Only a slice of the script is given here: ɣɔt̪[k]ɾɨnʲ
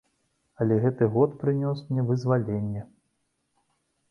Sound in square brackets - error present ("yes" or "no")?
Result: yes